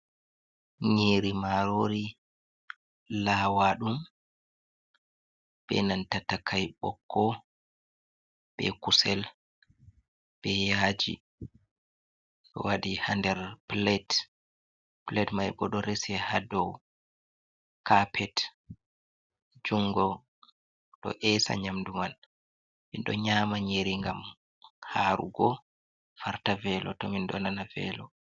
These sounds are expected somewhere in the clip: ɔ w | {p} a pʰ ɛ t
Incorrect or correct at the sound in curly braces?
incorrect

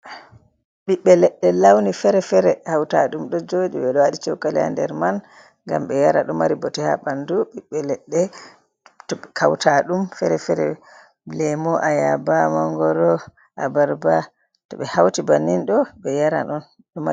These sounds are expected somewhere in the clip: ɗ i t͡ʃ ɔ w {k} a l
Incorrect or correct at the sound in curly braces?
correct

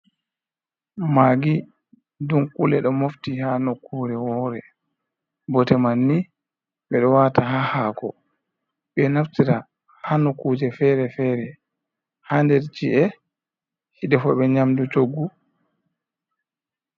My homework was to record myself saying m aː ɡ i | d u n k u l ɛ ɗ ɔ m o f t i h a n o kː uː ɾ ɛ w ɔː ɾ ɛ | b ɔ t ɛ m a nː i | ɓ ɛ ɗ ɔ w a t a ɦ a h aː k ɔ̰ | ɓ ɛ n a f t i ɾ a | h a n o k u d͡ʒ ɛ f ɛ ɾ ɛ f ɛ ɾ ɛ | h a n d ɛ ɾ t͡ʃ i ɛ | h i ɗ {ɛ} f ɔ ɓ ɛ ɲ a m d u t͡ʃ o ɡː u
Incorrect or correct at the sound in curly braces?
correct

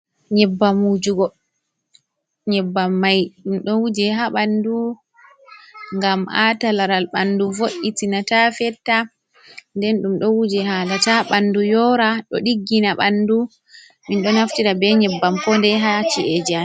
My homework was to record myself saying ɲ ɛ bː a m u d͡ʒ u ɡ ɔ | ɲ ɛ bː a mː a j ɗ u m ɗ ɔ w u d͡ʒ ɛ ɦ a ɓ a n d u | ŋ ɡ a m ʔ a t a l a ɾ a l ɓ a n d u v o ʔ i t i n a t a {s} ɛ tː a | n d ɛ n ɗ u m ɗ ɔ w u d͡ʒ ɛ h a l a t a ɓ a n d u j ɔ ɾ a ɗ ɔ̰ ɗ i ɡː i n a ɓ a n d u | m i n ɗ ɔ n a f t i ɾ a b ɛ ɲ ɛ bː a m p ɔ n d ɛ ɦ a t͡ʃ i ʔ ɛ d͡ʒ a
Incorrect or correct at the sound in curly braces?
incorrect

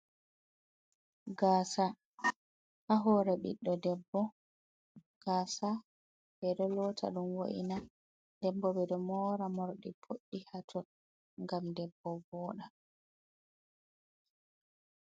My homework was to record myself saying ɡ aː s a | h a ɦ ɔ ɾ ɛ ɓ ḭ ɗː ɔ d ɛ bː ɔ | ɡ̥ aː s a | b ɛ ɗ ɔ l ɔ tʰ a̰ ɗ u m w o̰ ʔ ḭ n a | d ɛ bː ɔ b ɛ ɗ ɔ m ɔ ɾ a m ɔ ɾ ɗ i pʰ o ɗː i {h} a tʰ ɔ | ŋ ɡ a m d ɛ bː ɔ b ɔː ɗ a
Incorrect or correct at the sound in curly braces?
correct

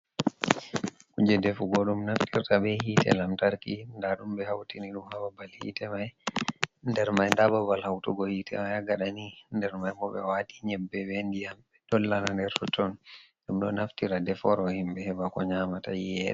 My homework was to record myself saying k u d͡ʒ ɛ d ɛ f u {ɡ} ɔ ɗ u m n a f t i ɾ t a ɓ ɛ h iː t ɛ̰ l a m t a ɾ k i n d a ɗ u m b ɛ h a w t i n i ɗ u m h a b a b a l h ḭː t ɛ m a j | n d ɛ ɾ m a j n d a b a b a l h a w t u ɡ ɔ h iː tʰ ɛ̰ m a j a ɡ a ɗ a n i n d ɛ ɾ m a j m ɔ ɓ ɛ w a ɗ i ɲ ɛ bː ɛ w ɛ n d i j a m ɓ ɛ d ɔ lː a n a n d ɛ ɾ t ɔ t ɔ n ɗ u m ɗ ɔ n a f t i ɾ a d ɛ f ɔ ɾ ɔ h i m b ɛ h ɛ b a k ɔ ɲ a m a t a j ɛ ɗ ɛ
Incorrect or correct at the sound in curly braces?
correct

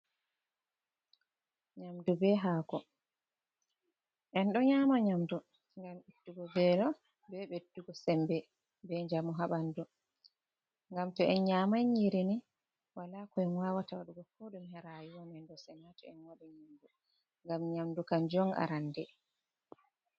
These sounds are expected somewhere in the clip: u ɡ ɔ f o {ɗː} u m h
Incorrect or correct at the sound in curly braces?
incorrect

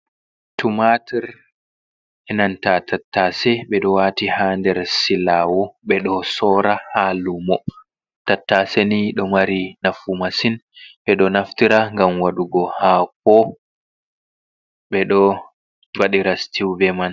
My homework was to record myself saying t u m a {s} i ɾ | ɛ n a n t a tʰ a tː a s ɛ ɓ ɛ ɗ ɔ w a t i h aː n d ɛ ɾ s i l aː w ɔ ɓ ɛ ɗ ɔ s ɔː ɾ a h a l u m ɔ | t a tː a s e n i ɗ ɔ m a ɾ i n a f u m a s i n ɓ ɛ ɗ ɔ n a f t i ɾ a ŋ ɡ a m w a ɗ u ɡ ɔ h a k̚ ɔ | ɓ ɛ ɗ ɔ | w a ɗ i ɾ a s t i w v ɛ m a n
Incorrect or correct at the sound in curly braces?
incorrect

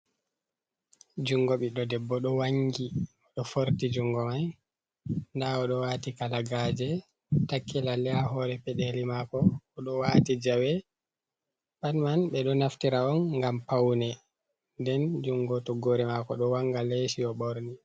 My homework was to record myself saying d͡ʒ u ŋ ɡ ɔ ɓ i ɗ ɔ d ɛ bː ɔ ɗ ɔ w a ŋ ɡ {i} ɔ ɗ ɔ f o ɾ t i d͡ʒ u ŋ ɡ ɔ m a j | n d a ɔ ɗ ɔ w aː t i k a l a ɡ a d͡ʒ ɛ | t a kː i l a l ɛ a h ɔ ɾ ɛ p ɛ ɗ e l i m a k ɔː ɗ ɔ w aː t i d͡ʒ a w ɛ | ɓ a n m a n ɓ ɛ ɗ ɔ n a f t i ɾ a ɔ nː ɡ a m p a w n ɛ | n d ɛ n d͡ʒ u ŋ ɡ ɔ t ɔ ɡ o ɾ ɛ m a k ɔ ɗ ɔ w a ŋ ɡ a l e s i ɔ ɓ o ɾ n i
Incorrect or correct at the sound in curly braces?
correct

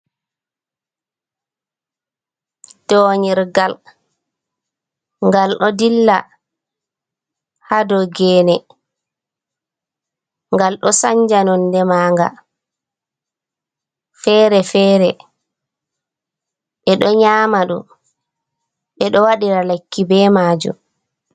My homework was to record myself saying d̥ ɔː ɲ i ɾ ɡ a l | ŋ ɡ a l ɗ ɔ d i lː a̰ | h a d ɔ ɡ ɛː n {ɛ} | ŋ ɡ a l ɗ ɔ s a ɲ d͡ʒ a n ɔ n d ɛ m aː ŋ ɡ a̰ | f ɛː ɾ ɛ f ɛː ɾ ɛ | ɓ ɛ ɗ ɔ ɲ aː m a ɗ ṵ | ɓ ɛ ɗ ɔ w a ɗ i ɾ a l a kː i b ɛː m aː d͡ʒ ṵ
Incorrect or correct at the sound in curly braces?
correct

